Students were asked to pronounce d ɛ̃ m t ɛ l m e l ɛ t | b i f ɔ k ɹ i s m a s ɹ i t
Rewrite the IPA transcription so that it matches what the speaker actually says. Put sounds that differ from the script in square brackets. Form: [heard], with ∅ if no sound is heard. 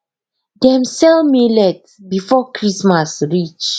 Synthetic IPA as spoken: d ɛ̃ m [s] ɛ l m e l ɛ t | b i f ɔ k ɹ i s m a s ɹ i [t͡ʃ]